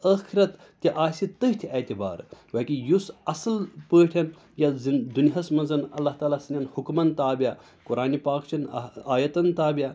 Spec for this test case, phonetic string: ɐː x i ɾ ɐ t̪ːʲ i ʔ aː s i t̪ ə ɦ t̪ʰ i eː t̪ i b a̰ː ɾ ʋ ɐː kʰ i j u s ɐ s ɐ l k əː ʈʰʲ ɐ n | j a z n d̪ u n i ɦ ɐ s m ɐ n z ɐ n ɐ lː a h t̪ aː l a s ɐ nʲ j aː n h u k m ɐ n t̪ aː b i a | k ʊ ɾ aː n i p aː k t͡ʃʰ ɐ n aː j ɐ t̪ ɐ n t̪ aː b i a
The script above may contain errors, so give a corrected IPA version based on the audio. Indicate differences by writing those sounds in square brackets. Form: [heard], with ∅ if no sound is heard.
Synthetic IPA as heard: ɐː x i ɾ ɐ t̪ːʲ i ʔ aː s i t̪ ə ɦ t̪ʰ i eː t̪ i b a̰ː ɾ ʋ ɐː [k] i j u s ɐ s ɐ l [p] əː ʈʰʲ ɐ n | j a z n d̪ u n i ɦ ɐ s m ɐ n z ɐ n ɐ lː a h t̪ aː l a s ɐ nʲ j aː n h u k m ɐ n t̪ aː b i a | k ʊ ɾ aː n i p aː k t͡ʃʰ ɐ n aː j ɐ t̪ ɐ n t̪ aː b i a

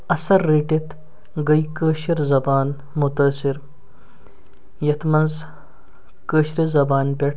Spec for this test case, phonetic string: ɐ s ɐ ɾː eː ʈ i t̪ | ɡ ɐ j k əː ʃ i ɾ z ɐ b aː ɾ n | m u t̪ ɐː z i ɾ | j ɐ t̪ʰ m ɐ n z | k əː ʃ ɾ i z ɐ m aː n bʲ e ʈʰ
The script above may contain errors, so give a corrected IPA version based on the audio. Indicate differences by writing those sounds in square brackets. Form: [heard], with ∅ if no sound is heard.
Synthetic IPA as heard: ɐ s ɐ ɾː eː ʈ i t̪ | ɡ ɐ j k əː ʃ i ɾ z ɐ b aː [∅] n | m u t̪ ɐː [s] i ɾ | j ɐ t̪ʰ m ɐ n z | k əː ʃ ɾ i z ɐ [b] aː n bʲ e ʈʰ

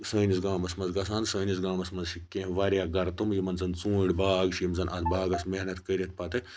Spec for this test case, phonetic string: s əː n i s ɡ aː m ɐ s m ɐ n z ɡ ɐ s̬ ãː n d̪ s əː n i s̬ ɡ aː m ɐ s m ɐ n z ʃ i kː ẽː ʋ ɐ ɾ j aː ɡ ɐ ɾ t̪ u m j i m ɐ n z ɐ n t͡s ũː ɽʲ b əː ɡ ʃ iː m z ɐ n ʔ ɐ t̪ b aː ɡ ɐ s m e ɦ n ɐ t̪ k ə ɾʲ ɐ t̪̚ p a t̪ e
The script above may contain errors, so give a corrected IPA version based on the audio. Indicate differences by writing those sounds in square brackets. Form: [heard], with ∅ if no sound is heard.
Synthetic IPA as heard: s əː n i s ɡ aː m ɐ s m ɐ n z ɡ ɐ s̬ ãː n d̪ s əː n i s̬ ɡ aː m ɐ s m ɐ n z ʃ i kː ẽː ʋ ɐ ɾ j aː ɡ ɐ ɾ t̪ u m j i m ɐ n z ɐ n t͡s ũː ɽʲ b [aː] ɡ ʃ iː m z ɐ n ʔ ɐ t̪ b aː ɡ ɐ s m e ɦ n ɐ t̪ k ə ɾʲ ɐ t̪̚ p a t̪ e

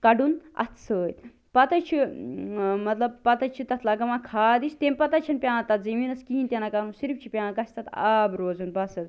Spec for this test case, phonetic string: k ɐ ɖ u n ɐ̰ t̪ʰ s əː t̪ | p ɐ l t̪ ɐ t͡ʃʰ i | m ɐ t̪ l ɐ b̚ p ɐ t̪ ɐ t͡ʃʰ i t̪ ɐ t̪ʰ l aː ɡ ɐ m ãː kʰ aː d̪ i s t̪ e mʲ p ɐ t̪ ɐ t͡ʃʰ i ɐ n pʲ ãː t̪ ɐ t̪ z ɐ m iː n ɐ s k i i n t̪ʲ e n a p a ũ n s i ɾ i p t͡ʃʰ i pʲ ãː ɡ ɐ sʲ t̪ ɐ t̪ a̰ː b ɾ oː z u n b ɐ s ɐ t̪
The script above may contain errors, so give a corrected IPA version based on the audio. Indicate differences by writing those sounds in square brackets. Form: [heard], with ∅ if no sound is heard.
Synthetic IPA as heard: k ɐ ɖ u n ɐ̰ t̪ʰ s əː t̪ | p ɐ [∅] t̪ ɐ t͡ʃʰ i | m ɐ t̪ l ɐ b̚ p ɐ t̪ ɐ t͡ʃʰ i t̪ ɐ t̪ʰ l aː ɡ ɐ m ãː kʰ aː d̪ i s t̪ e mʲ p ɐ t̪ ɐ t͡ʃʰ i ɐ n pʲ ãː t̪ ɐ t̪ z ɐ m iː n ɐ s k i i n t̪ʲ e n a [k] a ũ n s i ɾ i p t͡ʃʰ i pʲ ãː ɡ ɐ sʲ t̪ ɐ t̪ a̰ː b ɾ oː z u n b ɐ s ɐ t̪

